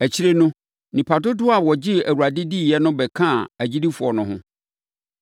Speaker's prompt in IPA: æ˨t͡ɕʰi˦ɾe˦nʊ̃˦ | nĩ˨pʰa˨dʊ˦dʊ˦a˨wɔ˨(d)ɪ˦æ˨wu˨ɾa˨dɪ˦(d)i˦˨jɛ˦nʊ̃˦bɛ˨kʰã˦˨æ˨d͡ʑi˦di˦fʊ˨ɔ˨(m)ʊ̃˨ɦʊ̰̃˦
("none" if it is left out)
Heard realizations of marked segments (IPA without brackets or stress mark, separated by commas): d͡ʑ, d, n